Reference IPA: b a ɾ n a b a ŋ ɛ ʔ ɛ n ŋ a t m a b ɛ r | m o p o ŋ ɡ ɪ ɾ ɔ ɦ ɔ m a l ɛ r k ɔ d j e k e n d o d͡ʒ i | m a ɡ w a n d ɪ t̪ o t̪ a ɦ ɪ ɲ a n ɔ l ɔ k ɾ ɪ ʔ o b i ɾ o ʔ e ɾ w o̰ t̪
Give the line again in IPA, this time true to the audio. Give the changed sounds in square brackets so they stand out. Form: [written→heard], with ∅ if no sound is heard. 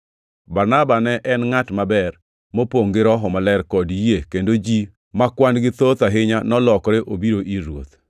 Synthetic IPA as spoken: b a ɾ n a b a [ŋ→n] ɛ ʔ ɛ n ŋ a t m a b ɛ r | m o p o ŋ ɡ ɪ ɾ ɔ ɦ ɔ m a l ɛ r k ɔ d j e k e n d o d͡ʒ i | m a [ɡ→k] w a n [d→ɡ] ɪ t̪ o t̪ a ɦ ɪ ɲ a n ɔ l ɔ k ɾ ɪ ʔ o b i ɾ o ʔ [e→i] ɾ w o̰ t̪